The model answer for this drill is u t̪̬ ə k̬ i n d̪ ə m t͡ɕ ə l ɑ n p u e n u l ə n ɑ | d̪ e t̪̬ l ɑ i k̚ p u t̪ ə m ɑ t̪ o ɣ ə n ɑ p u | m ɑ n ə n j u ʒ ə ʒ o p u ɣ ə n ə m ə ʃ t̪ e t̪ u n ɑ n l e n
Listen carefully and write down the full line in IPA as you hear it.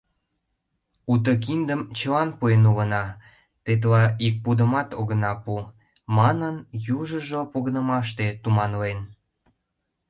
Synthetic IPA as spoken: u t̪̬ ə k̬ i n d̪ ə m t͡ɕ ə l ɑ n p u e n u l ə n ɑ | t̪ e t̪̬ l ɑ i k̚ p u d̪ ə m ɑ t̪ o ɣ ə n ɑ p u | m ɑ n ə n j u ʒ ə ʒ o p o ɣ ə n ə m ɑ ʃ t̪ e t̪ u m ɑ n l e n